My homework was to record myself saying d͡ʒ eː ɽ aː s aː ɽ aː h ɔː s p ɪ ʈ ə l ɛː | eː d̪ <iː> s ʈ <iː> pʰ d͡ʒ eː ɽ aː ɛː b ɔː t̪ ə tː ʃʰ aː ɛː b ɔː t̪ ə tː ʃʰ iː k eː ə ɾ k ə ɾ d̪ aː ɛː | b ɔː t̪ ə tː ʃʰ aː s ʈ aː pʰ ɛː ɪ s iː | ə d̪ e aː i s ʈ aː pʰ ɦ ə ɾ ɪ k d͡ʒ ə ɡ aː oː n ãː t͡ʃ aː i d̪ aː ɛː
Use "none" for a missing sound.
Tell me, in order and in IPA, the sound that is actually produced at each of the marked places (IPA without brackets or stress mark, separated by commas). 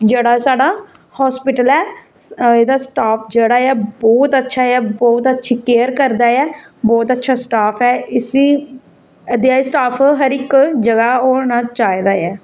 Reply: aː, aː